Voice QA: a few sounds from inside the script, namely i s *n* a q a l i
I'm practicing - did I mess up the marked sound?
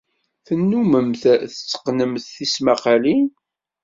yes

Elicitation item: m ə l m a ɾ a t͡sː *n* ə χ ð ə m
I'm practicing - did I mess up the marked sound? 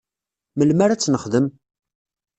no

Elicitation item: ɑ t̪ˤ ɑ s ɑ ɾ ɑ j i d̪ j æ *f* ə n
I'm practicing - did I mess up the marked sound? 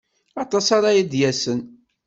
yes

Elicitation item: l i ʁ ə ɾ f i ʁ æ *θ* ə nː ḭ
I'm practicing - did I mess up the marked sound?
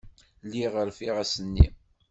yes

